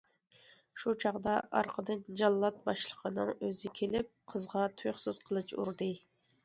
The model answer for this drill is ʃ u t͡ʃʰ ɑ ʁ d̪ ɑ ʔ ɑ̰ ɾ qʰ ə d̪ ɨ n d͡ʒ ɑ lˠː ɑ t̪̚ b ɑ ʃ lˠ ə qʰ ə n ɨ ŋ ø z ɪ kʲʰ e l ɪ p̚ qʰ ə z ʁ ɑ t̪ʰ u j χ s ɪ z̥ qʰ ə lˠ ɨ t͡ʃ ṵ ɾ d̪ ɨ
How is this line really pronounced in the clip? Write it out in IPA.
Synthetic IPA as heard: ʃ u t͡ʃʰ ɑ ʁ d̪ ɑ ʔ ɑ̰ ɾ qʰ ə d̪ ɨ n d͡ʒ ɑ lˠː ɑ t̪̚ b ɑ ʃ lˠ ə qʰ ə n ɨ ŋ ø z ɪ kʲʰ e l ɪ p̚ qʰ ə z ʁ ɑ t̪ʰ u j χ s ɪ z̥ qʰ ə lˠ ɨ t͡ʃ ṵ ɾ d̪ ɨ